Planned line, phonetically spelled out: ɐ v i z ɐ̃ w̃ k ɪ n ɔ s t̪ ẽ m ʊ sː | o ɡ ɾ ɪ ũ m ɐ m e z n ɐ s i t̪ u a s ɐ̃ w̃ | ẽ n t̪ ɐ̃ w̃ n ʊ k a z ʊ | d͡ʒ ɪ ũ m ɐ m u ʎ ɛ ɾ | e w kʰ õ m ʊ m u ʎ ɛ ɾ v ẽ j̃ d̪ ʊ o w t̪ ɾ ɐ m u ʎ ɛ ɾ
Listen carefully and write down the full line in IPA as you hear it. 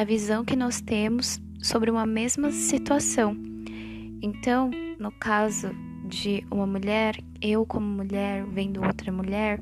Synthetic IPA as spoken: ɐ v i z ɐ̃ w̃ k ɪ n ɔ s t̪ ẽ m ʊ sː | o b ɾ ɪ ũ m ɐ m e z m ɐ s i t̪ u a s ɐ̃ w̃ | ẽ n t̪ ɐ̃ w̃ n ʊ k a z ʊ | d͡ʒ ɪ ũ m ɐ m u ʎ ɛ ɾ | e w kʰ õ m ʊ m u ʎ ɛ ɾ v ẽ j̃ d̪ ʊ o w t̪ ɾ ɐ m u ʎ ɛ ɾ